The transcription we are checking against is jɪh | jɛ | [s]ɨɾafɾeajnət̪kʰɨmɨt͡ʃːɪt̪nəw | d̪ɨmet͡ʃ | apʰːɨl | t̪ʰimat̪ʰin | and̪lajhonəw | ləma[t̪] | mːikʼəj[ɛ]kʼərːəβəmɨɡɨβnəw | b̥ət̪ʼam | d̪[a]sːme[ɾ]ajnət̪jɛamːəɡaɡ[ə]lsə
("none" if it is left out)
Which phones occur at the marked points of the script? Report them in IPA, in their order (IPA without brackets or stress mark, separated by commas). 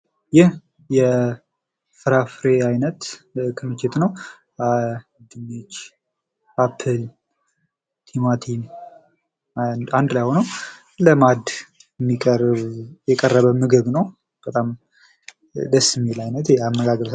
f, d̪, ɛ, ə, l, ə